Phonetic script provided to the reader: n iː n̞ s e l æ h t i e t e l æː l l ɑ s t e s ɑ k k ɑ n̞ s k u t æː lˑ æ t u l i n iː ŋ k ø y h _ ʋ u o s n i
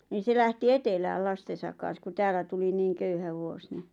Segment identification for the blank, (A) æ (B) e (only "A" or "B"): A